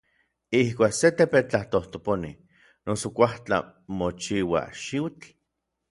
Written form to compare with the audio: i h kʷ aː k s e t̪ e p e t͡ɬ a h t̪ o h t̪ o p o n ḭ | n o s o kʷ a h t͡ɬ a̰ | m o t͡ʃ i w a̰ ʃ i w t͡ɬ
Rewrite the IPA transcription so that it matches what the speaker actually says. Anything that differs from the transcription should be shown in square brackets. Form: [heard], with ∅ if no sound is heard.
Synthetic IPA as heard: i h kʷ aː k s e t̪ e p e t͡ɬ a h t̪ o h t̪ o p o n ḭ | n o s o kʷ a h t͡ɬ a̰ | m o t͡ʃ i w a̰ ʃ i w t͡ɬ